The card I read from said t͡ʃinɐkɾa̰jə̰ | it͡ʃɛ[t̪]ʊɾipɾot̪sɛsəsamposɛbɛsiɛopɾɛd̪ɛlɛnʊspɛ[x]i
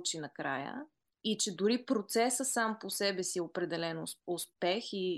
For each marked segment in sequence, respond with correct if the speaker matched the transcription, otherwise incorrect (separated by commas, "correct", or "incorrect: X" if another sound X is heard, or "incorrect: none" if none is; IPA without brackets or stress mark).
incorrect: d̪, correct